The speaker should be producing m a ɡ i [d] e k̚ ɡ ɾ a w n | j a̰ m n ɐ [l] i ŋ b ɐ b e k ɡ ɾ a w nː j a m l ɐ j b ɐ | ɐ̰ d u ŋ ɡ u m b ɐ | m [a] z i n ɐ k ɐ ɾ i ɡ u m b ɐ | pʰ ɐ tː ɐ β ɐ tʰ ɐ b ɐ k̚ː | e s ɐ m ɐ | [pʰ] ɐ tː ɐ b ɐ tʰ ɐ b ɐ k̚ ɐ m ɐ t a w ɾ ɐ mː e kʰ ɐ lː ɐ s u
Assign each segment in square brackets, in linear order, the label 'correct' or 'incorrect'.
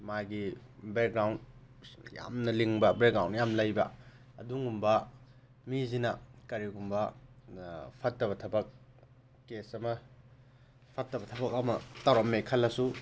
incorrect: b, correct, incorrect: i, correct

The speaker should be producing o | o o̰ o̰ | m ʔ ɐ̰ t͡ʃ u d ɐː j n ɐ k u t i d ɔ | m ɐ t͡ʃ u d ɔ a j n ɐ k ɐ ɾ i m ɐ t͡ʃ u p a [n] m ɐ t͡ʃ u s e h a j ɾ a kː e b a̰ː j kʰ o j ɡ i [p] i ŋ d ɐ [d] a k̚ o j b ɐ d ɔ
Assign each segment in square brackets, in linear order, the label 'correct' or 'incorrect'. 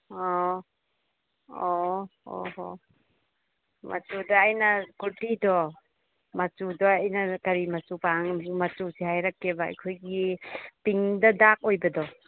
incorrect: ŋ, correct, correct

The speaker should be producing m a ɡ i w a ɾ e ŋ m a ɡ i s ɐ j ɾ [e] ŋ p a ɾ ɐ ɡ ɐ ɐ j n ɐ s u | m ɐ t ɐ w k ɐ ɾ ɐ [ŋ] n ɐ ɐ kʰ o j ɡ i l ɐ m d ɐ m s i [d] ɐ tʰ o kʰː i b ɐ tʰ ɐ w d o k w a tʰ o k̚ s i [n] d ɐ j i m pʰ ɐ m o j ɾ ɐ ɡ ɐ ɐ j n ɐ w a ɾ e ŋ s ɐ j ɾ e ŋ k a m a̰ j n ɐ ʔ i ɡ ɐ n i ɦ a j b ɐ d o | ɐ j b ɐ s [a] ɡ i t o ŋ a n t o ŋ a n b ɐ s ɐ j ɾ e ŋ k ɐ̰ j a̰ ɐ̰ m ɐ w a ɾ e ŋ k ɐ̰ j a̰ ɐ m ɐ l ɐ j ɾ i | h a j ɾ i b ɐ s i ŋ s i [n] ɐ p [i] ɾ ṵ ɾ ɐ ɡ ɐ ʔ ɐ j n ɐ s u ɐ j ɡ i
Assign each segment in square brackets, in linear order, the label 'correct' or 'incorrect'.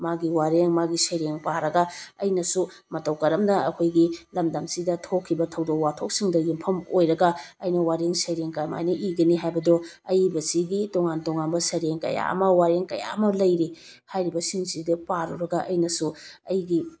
correct, incorrect: m, correct, incorrect: ŋ, incorrect: i, incorrect: d, incorrect: a

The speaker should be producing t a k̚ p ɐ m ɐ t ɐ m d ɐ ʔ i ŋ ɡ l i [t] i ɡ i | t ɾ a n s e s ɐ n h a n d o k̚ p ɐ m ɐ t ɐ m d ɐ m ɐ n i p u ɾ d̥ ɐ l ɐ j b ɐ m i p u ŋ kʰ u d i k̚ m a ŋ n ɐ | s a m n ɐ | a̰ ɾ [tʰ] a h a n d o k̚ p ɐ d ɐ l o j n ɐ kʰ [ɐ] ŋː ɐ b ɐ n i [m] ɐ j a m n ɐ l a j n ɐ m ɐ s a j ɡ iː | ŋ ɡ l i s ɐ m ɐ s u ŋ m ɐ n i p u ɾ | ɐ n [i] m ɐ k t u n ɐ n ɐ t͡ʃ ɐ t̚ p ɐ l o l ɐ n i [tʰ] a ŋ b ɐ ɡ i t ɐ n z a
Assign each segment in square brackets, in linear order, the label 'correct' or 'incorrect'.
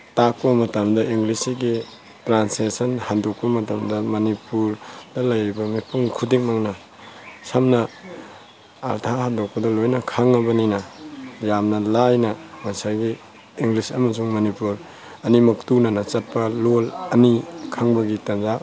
incorrect: s, correct, incorrect: a, incorrect: n, correct, incorrect: kʰ

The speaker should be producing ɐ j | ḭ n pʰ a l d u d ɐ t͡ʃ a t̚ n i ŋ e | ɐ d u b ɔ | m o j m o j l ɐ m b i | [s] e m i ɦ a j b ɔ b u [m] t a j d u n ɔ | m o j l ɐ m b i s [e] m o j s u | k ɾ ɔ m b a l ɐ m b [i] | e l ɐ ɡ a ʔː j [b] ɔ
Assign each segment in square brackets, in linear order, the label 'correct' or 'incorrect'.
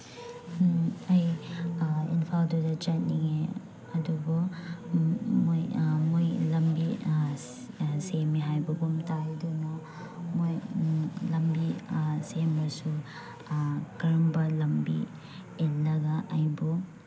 correct, correct, correct, correct, correct

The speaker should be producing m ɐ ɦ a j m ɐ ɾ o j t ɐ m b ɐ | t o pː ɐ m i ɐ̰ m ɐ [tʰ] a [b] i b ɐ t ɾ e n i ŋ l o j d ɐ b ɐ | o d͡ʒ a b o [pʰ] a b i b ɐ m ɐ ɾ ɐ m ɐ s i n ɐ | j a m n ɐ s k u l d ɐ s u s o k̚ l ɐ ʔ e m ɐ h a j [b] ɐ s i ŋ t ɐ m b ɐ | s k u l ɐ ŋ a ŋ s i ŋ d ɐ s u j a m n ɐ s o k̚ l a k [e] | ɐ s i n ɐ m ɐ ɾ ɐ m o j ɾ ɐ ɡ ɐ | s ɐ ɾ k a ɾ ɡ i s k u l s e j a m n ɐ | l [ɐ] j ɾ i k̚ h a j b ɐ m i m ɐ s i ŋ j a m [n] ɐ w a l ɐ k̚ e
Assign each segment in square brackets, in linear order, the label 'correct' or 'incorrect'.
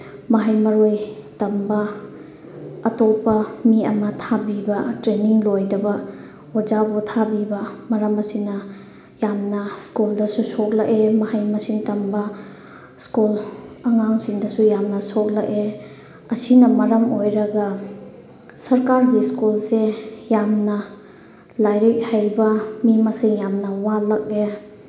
correct, correct, incorrect: tʰ, incorrect: m, correct, incorrect: a, correct

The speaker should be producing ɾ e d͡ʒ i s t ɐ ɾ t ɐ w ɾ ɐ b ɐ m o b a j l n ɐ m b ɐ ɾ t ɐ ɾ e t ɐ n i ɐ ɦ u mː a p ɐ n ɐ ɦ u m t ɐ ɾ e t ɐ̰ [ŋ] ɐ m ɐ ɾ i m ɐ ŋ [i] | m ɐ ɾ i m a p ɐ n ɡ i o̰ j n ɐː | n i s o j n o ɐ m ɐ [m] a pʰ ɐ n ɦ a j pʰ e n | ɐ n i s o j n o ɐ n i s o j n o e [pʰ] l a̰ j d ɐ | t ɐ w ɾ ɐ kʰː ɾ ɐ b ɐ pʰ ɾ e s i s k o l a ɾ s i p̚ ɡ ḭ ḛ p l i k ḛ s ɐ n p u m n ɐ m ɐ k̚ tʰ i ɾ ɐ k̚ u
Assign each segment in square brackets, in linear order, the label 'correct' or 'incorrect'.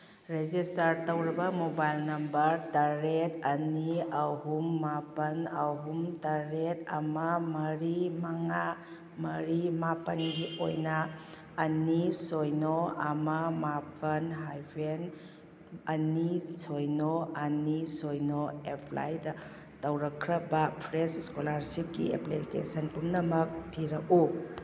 incorrect: m, incorrect: a, correct, correct

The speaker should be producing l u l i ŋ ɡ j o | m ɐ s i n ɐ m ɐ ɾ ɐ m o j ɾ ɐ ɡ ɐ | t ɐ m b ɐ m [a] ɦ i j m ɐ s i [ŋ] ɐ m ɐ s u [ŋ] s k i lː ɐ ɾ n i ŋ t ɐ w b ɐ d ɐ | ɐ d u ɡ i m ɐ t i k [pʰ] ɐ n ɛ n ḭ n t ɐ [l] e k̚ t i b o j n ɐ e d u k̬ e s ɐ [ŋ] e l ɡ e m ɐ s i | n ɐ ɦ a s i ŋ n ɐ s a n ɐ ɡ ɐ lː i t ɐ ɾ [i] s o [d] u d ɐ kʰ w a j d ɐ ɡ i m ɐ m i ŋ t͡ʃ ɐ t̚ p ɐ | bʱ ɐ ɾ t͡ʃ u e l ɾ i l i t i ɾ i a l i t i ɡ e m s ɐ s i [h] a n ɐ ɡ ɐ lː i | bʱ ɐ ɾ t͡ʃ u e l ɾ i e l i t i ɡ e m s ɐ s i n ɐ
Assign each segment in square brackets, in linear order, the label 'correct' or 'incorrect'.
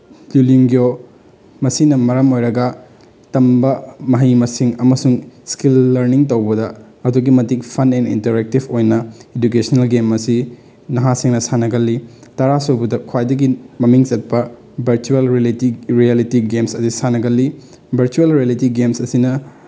incorrect: ɐ, correct, correct, correct, incorrect: ɾ, incorrect: n, incorrect: a, incorrect: b, incorrect: s

